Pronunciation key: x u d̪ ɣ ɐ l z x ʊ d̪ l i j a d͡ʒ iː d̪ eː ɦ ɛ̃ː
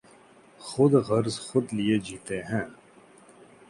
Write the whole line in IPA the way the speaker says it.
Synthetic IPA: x ʊ d̪ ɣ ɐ ɾ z x ʊ d̪ l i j e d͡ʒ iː t̪ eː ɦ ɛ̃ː